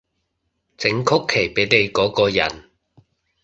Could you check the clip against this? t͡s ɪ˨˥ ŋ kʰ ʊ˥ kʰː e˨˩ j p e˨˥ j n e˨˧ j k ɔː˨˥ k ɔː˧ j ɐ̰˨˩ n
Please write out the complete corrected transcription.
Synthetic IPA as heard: t͡s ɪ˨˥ ŋ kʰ ʊ˥ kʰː e˨˩ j p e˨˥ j n e˨˧ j k ɔː˨˥ k ɔː˧ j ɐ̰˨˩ n